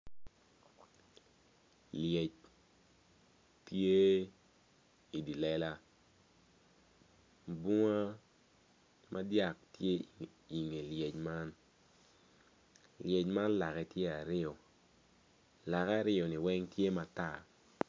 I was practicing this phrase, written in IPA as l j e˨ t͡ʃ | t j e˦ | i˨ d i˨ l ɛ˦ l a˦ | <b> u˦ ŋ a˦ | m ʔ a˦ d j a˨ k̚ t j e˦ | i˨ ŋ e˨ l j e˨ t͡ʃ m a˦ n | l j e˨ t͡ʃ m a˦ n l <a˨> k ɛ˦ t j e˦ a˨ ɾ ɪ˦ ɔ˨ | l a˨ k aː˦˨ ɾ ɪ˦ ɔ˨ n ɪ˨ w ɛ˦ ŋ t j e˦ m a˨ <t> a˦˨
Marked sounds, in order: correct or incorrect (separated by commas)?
correct, correct, correct